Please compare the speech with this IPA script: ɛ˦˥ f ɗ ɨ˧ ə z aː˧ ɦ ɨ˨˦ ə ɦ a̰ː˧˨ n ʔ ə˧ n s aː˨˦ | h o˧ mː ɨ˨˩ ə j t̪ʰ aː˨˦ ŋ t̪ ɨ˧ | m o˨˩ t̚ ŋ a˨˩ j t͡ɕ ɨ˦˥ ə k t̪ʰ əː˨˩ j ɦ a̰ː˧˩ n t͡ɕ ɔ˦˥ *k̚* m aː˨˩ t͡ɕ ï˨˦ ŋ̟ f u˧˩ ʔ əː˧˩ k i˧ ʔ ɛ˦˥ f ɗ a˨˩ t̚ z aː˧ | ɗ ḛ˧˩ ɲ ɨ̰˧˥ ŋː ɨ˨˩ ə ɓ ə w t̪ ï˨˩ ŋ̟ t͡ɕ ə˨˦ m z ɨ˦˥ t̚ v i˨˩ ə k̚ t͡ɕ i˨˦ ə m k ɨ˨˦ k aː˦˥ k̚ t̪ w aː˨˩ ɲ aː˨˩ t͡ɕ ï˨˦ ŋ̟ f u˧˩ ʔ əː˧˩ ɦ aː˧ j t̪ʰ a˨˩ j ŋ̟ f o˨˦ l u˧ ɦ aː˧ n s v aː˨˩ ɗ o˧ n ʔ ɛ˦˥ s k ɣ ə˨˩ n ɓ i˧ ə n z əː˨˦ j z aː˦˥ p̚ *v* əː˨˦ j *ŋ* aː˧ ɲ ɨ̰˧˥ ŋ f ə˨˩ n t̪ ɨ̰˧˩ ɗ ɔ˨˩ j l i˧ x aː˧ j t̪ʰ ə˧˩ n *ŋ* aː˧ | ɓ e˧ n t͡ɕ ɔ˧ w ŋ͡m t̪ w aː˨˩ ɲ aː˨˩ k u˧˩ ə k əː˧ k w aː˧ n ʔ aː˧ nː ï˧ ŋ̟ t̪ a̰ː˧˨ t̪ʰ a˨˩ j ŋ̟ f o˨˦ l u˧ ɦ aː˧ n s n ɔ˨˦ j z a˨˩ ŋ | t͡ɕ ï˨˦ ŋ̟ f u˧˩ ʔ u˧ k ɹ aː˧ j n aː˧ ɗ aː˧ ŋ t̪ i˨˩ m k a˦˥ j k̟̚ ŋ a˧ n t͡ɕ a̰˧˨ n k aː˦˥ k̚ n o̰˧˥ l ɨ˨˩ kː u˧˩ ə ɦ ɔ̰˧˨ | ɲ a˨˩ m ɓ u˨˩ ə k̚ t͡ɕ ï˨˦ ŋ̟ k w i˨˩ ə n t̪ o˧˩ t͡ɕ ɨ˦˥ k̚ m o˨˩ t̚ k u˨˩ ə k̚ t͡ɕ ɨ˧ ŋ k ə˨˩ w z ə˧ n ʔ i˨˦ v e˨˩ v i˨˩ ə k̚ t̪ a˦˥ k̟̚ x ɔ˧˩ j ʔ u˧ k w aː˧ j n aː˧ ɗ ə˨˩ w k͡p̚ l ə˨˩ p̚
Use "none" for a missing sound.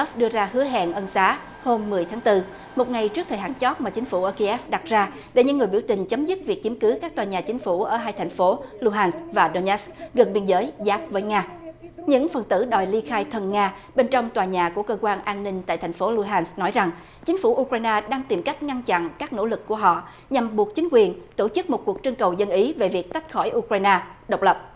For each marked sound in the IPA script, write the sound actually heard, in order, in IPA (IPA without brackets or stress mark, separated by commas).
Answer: t̚, v, ŋ, ŋ